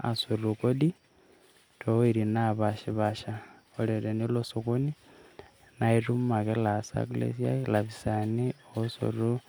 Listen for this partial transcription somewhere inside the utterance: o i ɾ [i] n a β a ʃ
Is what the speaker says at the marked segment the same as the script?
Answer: yes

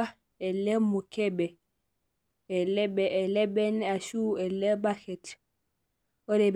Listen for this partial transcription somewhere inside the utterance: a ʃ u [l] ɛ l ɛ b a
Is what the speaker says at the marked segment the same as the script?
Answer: no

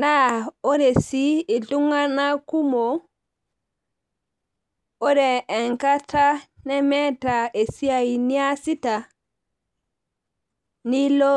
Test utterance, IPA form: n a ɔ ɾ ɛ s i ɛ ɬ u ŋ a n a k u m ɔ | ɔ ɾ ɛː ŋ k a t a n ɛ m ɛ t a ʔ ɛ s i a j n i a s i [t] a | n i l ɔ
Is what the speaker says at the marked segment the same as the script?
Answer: yes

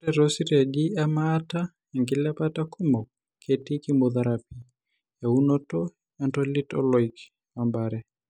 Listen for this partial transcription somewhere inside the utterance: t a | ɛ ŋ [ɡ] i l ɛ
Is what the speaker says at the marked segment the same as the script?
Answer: yes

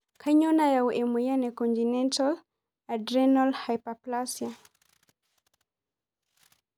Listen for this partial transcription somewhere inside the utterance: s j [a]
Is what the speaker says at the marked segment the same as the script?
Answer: yes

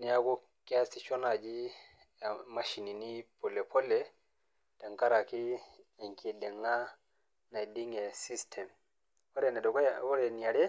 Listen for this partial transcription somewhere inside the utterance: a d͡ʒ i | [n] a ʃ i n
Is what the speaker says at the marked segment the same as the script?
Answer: no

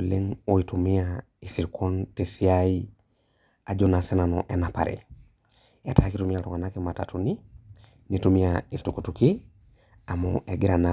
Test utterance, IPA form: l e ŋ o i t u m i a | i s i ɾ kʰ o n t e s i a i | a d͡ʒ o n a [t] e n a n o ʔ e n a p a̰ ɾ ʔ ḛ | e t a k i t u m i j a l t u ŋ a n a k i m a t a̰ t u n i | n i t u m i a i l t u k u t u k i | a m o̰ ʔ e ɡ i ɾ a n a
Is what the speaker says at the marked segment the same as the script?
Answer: no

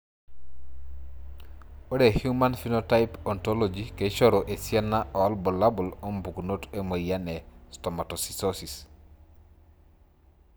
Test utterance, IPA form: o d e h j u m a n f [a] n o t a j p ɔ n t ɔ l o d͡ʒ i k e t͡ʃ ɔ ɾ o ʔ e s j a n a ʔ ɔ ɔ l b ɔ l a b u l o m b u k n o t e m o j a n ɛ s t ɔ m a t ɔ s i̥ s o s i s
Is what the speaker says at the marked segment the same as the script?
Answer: no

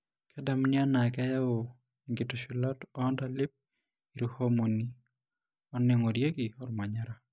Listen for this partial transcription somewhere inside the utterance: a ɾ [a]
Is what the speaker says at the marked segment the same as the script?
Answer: yes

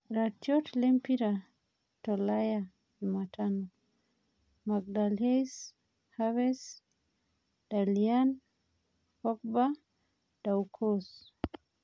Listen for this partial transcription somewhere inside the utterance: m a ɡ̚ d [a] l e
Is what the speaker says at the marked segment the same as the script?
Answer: yes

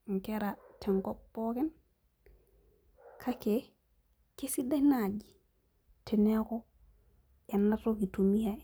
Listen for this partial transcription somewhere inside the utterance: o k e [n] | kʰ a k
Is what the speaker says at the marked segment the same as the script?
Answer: yes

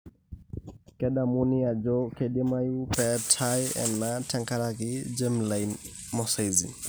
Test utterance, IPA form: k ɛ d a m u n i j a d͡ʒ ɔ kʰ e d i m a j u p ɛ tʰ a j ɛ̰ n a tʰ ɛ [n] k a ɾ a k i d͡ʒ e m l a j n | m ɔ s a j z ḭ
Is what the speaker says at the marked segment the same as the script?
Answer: no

